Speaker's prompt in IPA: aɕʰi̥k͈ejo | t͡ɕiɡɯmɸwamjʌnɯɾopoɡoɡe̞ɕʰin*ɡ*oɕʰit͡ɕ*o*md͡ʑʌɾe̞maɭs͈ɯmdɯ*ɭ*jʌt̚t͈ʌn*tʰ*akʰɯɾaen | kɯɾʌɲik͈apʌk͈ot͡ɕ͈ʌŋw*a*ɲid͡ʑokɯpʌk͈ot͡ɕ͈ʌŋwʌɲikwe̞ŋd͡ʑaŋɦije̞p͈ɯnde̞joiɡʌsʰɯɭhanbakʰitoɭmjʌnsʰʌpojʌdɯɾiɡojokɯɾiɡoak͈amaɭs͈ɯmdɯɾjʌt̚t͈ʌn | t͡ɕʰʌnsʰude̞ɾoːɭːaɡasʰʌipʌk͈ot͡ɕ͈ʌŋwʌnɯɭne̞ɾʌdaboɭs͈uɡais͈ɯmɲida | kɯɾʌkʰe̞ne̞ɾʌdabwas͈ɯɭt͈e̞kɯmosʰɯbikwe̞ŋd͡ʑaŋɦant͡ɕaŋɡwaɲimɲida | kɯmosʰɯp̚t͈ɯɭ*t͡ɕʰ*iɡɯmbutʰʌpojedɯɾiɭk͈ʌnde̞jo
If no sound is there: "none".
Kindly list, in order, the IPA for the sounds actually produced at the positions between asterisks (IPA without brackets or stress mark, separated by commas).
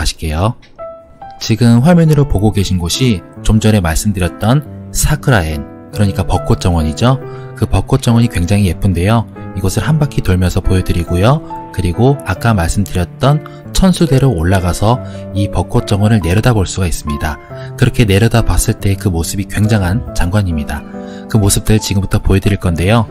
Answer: ɡ, o, ɾ, sʰ, ʌ, t͡ɕ